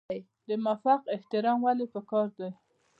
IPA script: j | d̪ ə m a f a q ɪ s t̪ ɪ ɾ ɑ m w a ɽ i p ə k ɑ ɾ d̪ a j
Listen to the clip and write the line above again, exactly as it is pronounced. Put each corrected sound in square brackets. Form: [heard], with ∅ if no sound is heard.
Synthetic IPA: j | d̪ ə m a f a q ɪ [h] t̪ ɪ ɾ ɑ m w a [l] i p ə k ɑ ɾ d̪ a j